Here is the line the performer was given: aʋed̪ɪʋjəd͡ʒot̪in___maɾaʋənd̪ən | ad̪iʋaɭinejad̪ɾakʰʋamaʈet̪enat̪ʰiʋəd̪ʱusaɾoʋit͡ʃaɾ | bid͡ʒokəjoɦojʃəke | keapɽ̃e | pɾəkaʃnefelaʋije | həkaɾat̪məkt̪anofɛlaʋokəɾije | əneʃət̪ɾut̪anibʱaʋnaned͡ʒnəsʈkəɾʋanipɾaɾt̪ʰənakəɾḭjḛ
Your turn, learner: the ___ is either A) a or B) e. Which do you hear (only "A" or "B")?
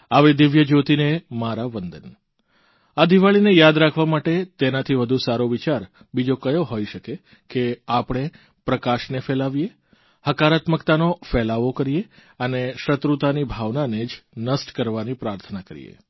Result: B